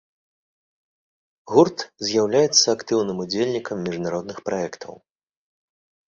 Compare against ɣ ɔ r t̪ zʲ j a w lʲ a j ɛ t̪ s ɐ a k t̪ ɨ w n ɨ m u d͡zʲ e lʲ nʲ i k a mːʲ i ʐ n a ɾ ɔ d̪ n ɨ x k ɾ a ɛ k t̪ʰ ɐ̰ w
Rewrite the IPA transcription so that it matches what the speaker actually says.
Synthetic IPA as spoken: ɣ u r t̪ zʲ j a w lʲ a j ɛ t̪ sː ɐ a k t̪ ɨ w n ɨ m u d͡zʲ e lʲ nʲ i k ɐ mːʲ i ʐ n a ɾ ɔ d̪ n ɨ x p ɾ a ɛ k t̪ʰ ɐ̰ w